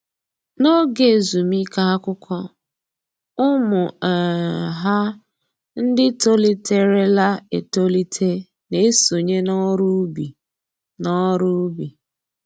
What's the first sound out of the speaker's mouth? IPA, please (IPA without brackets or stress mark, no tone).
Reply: n